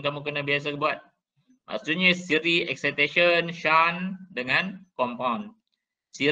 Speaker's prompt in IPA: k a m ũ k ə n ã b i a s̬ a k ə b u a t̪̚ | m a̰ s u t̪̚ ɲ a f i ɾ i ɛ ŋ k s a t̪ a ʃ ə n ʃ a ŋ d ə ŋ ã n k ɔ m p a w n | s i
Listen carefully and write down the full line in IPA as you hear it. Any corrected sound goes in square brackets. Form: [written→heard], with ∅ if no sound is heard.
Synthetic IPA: k a m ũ k ə n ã b i a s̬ a k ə b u a t̪̚ | m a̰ s u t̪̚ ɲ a [f→s] i ɾ i ɛ [ŋ→∅] k s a t̪ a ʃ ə n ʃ a [ŋ→n] d ə ŋ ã n k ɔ m p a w n | s i